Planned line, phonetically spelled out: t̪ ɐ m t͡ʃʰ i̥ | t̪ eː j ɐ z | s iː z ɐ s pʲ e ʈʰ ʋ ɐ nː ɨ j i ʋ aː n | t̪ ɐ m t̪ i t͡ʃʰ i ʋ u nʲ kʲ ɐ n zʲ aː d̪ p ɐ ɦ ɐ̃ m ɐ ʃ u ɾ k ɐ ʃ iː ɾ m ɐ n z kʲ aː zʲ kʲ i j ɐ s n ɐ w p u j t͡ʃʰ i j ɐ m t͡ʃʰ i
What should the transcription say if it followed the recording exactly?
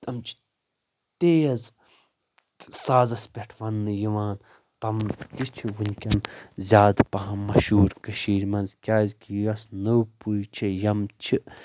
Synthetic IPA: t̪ ɐ m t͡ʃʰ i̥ | t̪ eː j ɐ z | s aː z ɐ s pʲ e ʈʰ ʋ ɐ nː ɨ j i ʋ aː n | t̪ ɐ m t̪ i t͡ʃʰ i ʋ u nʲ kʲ ɐ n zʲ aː d̪ p ɐ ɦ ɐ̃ m ɐ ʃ uː ɾ k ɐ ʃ iː ɾ m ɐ n z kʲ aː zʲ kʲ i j ɐ s n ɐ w p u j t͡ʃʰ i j ɐ m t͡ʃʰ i

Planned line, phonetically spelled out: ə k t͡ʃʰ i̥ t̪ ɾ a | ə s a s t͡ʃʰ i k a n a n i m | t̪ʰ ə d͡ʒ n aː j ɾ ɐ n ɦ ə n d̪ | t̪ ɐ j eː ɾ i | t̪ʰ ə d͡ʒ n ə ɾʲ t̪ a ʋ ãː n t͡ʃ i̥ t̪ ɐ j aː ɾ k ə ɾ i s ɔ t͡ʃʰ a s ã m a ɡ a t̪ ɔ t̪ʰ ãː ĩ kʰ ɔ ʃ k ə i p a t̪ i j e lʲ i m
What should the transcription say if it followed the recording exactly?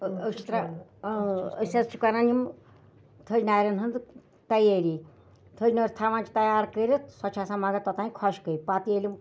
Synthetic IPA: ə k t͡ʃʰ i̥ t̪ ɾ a | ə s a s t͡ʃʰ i k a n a n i m | t̪ʰ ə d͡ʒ n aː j ɾ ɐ n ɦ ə n d̪ | t̪ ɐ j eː ɾ i | t̪ʰ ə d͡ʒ n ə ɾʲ t̪ʰ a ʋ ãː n t͡ʃ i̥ t̪ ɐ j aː ɾ k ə ɾ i s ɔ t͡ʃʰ a s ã m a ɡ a t̪ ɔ t̪ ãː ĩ kʰ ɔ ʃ k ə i p a t̪ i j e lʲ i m

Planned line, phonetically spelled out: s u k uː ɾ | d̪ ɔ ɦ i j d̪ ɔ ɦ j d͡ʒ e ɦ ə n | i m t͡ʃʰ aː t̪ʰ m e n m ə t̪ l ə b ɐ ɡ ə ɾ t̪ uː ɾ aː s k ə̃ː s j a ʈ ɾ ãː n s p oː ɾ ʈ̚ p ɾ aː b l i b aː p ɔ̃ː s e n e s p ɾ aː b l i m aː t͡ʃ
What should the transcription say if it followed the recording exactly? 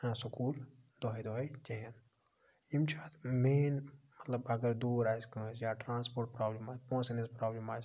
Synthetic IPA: s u k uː l | d̪ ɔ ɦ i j d̪ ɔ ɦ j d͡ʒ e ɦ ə n | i m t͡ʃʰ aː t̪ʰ m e n m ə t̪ l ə b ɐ ɡ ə ɾ d̪ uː ɾ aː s k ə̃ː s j a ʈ ɾ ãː n s p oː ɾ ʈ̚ p ɾ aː b l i m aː p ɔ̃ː s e n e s p ɾ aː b l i m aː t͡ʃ

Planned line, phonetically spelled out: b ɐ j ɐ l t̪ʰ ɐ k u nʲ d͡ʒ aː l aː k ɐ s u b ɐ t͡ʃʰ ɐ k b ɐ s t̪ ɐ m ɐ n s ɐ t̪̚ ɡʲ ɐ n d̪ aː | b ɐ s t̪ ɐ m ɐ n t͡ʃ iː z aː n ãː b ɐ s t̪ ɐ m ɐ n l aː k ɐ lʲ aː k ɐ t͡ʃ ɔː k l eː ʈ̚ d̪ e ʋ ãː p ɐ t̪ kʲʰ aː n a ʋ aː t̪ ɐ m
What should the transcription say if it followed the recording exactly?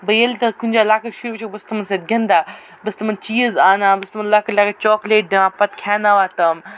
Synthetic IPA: b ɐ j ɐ l t̪ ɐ k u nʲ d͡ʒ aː l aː k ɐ ʃ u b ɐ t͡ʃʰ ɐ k b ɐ s t̪ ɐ m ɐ n s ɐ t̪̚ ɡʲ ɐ n d̪ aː | b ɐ s t̪ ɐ m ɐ n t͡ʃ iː z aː n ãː b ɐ s t̪ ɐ m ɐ n l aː k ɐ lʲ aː k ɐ t͡ʃ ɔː k l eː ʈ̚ d̪ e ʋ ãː p ɐ t̪ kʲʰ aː n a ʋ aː t̪ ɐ m

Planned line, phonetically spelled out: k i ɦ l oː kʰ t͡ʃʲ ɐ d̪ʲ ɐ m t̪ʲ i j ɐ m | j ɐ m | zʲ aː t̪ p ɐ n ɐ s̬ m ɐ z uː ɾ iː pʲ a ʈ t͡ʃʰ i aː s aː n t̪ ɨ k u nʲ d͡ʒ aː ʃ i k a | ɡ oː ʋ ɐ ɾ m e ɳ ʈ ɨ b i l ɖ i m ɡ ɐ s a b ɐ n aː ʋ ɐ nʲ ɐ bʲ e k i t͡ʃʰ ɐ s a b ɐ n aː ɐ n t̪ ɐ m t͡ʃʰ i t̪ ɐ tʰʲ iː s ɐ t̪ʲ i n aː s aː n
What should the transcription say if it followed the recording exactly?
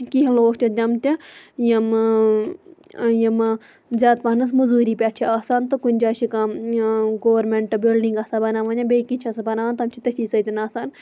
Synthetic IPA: k i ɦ l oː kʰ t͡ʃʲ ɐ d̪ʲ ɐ m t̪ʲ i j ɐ m | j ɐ m | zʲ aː t̪ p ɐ n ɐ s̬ m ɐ z uː ɾ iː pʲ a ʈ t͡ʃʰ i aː s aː n t̪ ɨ k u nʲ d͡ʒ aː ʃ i k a | ɡ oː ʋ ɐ ɾ m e ɳ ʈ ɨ b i l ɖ i ŋ ɡ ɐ s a b ɐ n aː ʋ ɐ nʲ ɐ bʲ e k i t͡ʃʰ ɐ s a b ɐ n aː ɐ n t̪ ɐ m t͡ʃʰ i t̪ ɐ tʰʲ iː s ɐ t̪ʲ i n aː s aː n

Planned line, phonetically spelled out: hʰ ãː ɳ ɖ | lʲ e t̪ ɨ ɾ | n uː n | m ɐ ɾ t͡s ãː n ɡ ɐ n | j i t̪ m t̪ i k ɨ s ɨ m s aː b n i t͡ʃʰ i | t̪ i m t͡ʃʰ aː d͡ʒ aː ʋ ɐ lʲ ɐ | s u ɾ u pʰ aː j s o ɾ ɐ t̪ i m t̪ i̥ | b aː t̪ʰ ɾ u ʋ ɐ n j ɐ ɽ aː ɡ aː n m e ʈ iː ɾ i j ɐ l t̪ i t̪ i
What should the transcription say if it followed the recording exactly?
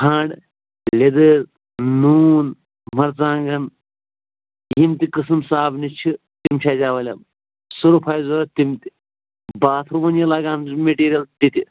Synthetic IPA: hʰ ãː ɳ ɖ | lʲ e d̪ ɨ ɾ | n uː n | m ɐ ɾ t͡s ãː ŋ ɡ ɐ n | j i m t̪ i k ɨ s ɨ m s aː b n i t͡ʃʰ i | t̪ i m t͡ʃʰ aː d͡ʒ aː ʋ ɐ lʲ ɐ | s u ɾ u pʰ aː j z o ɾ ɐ t̪ i m t̪ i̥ | b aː t̪ʰ ɾ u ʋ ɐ n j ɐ l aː ɡ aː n m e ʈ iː ɾ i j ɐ l t̪ i t̪ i

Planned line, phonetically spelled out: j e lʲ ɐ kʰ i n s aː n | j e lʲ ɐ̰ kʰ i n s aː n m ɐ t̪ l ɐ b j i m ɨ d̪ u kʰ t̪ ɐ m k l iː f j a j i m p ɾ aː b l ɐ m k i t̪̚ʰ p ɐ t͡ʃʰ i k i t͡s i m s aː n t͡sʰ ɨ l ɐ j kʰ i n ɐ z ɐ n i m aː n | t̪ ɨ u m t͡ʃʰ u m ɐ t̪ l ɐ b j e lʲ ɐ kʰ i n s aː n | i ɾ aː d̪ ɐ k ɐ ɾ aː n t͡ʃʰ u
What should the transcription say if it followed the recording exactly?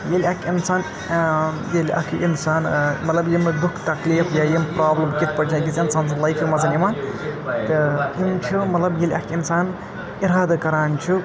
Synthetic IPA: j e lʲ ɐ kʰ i n s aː n | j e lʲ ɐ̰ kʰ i n s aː n m ɐ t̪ l ɐ b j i m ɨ d̪ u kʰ t̪ ɐ k l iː f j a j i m p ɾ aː b l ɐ m k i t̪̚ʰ p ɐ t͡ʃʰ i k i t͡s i n s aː n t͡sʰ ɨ l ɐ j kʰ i m ɐ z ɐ n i m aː n | t̪ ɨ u n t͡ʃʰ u m ɐ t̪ l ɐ b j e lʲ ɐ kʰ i n s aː n | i ɾ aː d̪ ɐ k ɐ ɾ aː n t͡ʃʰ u

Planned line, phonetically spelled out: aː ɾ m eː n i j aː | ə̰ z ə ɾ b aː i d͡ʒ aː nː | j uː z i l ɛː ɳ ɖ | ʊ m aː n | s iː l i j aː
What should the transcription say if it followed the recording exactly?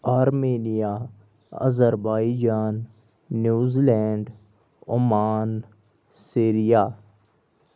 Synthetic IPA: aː ɾ m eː n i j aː | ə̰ z ə ɾ b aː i d͡ʒ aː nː | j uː z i l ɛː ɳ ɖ | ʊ m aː n | s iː ɾ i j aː

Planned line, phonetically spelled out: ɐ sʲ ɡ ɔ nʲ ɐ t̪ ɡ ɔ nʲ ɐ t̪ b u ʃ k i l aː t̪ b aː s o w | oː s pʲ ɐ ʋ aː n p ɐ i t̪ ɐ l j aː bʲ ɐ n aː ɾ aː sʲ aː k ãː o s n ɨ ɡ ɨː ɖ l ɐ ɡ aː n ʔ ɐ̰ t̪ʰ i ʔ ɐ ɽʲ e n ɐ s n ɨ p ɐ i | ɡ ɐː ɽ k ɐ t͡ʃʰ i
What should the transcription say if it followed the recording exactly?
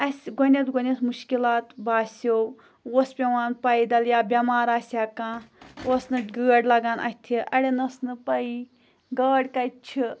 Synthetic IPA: ɐ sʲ ɡ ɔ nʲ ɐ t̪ ɡ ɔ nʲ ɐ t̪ m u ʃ k i l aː t̪ b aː s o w | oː s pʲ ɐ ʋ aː n p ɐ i d̪ ɐ l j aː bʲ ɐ m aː ɾ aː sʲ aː k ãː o s n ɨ ɡ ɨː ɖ l ɐ ɡ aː n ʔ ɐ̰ t̪ʰ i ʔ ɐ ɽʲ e n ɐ s n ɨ p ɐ i | ɡ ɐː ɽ k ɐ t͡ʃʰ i

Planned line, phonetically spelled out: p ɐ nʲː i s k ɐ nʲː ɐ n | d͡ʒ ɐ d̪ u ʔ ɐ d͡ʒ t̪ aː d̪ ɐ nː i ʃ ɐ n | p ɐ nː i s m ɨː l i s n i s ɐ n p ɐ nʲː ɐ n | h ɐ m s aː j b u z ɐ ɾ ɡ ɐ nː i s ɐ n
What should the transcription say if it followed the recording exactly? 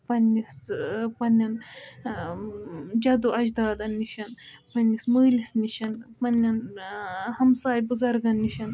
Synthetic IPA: p ɐ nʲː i s p ɐ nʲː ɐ n | d͡ʒ ɐ d̪ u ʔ ɐ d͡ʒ d̪ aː d̪ ɐ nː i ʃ ɐ n | p ɐ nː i s m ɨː l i s n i ʃ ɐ n p ɐ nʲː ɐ n | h ɐ m s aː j b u z ɐ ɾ ɡ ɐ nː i ʃ ɐ n

